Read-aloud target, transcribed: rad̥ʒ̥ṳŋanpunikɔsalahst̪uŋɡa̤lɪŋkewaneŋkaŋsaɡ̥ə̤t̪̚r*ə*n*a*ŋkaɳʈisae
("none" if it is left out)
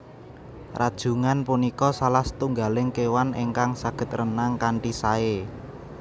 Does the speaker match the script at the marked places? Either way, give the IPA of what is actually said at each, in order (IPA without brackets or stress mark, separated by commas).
ə, a